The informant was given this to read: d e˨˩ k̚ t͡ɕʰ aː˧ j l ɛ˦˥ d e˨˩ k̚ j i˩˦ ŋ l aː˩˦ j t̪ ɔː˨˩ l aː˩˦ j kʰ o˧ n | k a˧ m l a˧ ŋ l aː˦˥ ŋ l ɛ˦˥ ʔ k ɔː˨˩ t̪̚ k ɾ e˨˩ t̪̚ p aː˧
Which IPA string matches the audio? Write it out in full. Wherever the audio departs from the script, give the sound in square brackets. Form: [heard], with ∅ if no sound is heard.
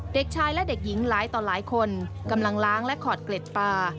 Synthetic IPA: d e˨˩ k̚ t͡ɕʰ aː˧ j l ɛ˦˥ d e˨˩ k̚ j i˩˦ ŋ l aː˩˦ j t̪ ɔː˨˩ l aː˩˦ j kʰ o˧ n | k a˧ m l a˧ ŋ l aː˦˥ ŋ l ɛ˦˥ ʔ [kʰ] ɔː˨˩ t̪̚ k [l] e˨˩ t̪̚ p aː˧